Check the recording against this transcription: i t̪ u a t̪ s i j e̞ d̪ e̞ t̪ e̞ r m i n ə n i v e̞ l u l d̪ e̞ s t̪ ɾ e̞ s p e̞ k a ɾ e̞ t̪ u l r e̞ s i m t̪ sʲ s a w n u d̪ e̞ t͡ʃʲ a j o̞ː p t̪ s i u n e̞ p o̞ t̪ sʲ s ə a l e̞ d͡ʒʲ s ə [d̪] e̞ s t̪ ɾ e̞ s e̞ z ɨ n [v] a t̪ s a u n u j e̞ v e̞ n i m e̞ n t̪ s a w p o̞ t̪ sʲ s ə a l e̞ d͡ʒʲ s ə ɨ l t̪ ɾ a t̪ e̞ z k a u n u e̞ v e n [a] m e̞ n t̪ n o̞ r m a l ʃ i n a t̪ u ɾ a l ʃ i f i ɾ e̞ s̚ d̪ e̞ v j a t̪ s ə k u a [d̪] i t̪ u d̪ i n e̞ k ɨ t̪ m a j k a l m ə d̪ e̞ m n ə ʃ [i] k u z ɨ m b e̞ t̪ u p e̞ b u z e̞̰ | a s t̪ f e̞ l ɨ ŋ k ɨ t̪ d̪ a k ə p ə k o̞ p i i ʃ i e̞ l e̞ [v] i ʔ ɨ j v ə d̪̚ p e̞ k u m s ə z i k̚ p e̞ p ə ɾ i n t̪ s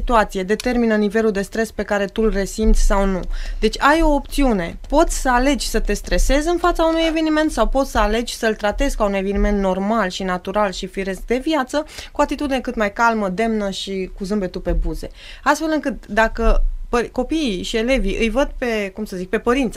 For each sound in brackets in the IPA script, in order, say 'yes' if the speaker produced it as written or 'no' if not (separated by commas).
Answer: no, no, no, no, yes, yes